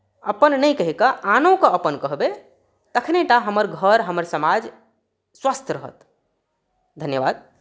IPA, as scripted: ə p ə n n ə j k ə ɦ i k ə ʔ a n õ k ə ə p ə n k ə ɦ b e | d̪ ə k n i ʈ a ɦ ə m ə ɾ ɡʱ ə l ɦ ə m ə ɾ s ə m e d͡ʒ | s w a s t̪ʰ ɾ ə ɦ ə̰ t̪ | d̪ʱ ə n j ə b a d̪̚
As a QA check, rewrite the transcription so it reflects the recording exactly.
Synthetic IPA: ə p ə n n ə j k ə ɦ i k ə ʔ a n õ k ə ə p ə n k ə ɦ b e | t̪ ə kʰ n e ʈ a ɦ ə m ə ɾ ɡʱ ə ɾ ɦ ə m ə ɾ s ə m a d͡ʒ | s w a s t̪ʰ ɾ ə ɦ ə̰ t̪ | d̪ʱ ə n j ə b a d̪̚